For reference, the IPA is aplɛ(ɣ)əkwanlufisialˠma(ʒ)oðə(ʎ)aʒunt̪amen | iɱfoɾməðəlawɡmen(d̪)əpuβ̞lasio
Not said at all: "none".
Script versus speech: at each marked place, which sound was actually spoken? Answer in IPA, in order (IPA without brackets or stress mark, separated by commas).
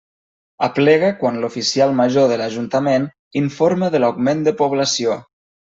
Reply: ɣ, ʒ, l, d̪